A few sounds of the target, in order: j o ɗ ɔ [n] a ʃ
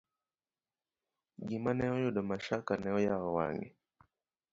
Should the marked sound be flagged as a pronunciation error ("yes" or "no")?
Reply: yes